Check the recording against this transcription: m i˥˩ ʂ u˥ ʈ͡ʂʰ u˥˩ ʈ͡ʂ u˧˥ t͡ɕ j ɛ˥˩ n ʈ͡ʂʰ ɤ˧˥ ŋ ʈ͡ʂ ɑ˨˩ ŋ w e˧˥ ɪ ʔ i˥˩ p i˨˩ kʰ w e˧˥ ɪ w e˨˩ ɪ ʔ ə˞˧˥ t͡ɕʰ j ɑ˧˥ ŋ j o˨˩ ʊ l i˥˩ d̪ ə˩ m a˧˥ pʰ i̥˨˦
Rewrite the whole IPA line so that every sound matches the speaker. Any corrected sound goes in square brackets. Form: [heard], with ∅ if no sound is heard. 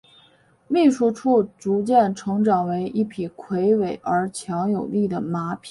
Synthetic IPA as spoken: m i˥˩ ʂ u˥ ʈ͡ʂʰ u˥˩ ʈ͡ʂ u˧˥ t͡ɕ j ɛ˥˩ n ʈ͡ʂʰ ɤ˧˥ ŋ ʈ͡ʂ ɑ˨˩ ŋ w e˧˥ ɪ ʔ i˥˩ [pʰ] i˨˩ kʰ w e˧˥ ɪ w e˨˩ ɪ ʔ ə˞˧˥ t͡ɕʰ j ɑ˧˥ ŋ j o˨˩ ʊ l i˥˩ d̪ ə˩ m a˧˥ pʰ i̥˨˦